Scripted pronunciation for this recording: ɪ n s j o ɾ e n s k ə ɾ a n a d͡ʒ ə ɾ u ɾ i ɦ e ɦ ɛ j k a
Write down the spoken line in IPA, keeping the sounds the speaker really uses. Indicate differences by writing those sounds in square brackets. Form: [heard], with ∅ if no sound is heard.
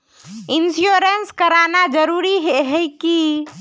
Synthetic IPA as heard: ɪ n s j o ɾ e n s k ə ɾ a n a d͡ʒ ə ɾ u ɾ i ɦ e ɦ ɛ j k [i]